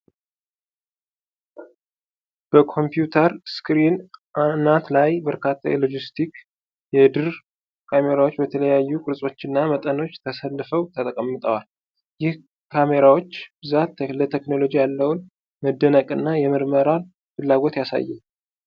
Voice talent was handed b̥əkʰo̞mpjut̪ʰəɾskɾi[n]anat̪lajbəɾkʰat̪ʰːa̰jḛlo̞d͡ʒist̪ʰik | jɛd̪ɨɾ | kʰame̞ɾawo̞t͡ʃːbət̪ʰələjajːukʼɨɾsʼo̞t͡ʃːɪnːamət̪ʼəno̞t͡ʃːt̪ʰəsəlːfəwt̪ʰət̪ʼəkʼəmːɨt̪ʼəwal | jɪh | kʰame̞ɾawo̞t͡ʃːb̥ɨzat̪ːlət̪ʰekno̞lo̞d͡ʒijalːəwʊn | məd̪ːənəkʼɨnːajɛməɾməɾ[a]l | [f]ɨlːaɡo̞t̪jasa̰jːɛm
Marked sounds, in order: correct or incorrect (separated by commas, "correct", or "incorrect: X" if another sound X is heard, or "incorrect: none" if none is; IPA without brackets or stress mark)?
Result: correct, correct, correct